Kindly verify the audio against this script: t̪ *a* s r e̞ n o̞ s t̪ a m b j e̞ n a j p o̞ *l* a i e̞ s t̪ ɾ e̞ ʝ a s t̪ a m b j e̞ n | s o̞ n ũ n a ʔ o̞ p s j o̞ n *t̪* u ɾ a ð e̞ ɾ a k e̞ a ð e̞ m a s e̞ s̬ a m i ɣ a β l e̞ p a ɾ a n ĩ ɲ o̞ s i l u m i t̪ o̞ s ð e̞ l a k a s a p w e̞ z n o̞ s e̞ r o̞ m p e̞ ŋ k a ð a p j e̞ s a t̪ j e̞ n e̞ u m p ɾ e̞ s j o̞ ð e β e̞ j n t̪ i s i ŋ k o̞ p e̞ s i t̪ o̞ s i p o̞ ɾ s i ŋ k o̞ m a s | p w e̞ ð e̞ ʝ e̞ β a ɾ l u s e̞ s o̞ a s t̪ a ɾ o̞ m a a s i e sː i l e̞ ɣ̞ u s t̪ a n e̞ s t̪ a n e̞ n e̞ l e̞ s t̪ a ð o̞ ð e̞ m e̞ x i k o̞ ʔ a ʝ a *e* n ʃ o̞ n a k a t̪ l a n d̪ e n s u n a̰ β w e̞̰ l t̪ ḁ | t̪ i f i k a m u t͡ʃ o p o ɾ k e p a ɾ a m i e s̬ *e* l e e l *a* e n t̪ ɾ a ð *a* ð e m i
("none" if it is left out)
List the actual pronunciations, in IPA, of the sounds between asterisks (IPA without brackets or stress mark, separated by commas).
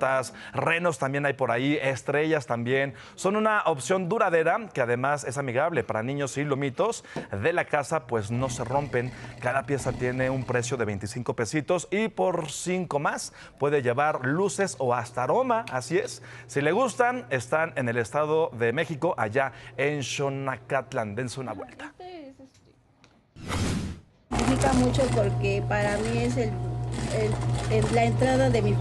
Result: a, ɾ, d̪, e, e, a, a